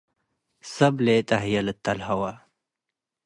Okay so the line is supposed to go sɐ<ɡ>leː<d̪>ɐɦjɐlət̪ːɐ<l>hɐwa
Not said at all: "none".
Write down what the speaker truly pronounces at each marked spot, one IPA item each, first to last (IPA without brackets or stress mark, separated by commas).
b, t̪, l